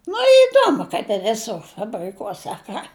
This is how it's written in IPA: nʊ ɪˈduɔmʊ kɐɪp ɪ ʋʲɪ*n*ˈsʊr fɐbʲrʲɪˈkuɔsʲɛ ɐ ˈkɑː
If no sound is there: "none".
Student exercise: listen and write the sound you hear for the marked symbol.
none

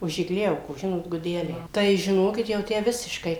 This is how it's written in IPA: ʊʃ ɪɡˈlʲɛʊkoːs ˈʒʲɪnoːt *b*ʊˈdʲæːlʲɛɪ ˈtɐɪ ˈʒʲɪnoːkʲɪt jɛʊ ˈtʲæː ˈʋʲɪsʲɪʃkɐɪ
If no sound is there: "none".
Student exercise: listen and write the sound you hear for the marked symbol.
ɡ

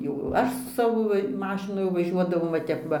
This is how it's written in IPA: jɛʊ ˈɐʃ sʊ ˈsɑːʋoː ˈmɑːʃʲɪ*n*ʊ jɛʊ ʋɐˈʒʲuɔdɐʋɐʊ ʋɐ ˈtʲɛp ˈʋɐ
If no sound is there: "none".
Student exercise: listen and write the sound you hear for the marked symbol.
n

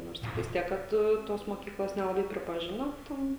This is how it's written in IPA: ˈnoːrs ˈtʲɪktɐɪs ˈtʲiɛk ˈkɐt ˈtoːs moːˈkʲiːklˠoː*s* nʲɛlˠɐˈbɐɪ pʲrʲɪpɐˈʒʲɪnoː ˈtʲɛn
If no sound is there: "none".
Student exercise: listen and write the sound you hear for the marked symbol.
s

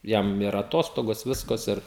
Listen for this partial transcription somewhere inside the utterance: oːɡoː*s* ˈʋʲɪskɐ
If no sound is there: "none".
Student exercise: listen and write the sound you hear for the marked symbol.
s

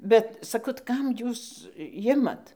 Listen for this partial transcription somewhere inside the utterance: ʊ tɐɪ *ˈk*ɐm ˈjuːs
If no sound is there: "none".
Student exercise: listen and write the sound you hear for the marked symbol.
k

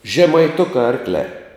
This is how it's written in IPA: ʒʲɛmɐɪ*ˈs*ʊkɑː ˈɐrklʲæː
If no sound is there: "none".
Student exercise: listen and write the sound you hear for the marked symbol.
t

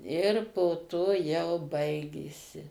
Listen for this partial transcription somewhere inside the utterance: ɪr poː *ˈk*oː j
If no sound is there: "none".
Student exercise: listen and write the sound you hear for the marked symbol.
t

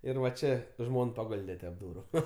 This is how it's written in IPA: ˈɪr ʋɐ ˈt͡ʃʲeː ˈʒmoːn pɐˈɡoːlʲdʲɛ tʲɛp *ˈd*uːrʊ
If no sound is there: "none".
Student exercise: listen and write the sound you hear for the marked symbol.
d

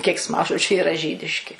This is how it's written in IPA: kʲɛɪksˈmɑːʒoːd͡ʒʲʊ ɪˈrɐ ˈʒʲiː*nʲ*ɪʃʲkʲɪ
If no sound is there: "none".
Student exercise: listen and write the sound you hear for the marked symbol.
dʲ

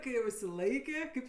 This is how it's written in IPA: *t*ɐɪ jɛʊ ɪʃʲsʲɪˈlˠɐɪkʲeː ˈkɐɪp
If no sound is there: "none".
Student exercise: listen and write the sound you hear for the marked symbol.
k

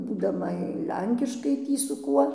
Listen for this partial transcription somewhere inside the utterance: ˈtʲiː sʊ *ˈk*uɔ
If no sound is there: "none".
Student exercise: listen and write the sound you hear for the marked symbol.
k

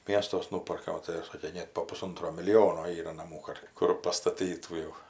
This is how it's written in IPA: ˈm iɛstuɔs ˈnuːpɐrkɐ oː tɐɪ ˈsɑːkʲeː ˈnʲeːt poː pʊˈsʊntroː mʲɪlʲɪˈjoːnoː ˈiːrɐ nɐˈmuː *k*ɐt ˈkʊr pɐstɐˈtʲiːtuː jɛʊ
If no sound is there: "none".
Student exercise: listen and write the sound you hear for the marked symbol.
k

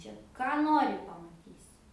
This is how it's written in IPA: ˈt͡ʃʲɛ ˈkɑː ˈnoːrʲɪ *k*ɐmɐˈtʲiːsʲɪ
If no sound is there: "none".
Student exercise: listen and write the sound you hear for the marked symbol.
p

